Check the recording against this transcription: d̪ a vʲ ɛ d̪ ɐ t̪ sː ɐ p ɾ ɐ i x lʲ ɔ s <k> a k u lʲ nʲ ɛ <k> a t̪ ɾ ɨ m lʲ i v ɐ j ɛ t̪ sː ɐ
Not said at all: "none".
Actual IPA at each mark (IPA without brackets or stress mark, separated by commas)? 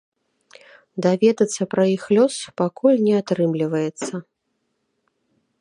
p, none